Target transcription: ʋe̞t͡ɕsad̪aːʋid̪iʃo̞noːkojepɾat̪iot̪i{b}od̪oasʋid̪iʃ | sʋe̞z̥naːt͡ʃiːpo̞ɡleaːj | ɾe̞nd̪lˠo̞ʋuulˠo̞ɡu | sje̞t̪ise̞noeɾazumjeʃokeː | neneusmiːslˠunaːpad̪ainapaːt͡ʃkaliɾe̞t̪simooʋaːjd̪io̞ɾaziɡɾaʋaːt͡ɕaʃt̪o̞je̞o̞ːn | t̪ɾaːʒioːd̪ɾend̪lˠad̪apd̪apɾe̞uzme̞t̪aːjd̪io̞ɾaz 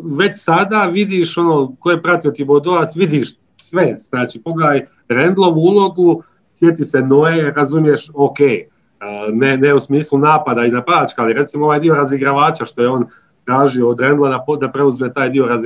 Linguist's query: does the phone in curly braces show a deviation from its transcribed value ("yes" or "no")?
no